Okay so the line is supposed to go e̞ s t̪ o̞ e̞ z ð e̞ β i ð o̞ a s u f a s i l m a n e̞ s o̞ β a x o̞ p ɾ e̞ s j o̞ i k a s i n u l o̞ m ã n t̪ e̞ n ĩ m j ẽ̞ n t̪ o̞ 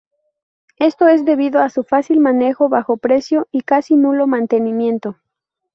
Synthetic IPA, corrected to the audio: e̞ s t̪ o̞ e̞ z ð e̞ β i ð o̞ a s u f a s i l m a n e̞ x o̞ β a x o̞ p ɾ e̞ s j o̞ i k a s i n u l o̞ m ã n t̪ e̞ n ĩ m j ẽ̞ n t̪ o̞